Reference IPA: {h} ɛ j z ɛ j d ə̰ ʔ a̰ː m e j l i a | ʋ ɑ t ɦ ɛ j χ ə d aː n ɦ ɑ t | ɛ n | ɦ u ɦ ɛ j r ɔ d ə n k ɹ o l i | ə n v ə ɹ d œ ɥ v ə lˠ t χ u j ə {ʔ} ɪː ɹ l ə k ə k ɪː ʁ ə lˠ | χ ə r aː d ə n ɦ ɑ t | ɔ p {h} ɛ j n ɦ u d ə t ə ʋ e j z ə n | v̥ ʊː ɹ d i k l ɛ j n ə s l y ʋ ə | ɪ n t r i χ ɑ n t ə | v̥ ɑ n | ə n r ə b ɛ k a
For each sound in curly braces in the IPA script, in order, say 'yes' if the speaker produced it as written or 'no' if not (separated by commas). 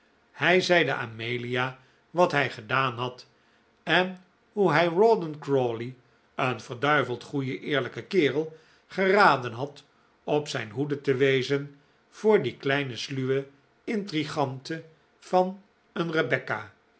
yes, yes, no